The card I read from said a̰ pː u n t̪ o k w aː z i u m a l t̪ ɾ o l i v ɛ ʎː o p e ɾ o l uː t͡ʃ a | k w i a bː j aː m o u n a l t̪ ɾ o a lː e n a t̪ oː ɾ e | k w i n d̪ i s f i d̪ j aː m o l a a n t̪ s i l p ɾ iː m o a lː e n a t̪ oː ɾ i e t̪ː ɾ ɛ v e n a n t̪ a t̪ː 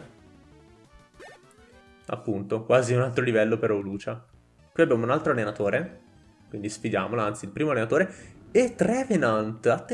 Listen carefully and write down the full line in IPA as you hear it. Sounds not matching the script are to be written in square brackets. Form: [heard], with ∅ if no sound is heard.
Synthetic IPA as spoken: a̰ pː u n t̪ o k w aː z i u [n] a l t̪ ɾ o l i v ɛ [lː] o p e ɾ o l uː t͡ʃ a | k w i a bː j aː m o u n a l t̪ ɾ o a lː e n a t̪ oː ɾ e | k w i n d̪ i s f i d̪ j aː m o l a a n t̪ s i l p ɾ iː m o a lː e n a t̪ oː ɾ [e] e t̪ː ɾ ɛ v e n a n t̪ a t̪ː